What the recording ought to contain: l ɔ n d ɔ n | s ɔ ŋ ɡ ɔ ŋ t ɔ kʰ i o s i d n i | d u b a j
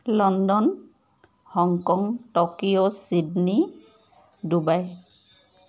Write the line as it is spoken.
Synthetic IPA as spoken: l ɔ n d ɔ n | h ɔ ŋ k ɔ ŋ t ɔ k i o s i d n i | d u b a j